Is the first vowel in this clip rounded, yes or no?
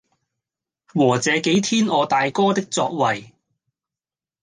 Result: yes